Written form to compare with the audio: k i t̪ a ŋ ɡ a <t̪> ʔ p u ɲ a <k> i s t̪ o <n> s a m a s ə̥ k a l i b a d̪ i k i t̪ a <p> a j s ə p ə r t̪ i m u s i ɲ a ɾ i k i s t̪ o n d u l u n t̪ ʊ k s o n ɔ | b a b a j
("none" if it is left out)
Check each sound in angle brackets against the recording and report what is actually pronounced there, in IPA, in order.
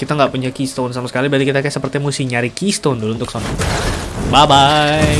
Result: none, k, n, k

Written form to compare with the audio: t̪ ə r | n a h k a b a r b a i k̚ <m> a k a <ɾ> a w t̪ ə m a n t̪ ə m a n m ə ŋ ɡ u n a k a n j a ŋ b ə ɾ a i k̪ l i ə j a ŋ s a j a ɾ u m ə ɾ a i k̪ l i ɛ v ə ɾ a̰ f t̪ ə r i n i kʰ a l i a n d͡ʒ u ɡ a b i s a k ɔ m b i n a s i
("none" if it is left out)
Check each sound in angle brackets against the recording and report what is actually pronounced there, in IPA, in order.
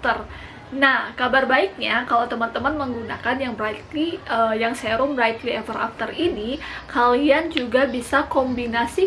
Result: ɲ, l

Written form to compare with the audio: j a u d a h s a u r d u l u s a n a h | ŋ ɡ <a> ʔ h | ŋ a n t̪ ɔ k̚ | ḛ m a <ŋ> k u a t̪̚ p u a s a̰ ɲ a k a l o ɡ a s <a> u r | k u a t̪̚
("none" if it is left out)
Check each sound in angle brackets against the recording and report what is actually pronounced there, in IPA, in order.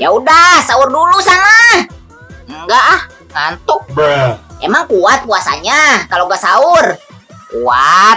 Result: a, ŋ, a

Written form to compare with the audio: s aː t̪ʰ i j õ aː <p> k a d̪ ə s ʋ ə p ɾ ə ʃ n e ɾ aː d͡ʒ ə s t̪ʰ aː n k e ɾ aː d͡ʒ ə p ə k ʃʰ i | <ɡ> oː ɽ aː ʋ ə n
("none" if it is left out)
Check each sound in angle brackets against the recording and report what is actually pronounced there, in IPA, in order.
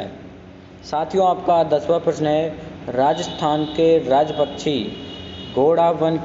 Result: p, ɡ

